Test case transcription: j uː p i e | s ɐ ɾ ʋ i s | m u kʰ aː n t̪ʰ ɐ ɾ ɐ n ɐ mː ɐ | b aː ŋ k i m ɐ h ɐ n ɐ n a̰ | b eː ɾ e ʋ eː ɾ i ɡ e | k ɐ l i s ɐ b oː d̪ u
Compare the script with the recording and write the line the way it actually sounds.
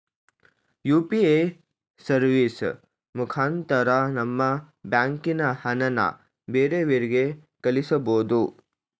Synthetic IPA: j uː p i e | s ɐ ɾ ʋ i s | m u kʰ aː n t̪ ɐ ɾ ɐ n ɐ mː ɐ | b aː ŋ k i n ɐ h ɐ n ɐ n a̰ | b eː ɾ e ʋ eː ɾ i ɡ e | k ɐ l i s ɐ b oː d̪ u